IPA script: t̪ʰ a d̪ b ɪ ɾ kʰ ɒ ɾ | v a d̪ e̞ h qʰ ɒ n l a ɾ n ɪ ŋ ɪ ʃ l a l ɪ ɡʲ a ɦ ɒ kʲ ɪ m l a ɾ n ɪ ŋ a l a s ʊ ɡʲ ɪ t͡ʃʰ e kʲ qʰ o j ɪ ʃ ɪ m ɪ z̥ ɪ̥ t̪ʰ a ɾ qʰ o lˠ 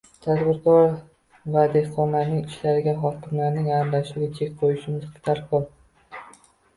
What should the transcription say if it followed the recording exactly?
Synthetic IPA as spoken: t̪ʰ a d̪ b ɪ ɾ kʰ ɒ ɾ | v a d̪ e̞ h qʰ ɒ n l a ɾ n ɪ ŋ ɪ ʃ l a ɾ ɪ ɡʲ a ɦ ɒ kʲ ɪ m l a ɾ n ɪ ŋ a l a ʃ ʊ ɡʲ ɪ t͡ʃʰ e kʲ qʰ o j ɪ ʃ ɪ m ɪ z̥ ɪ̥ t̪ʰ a ɾ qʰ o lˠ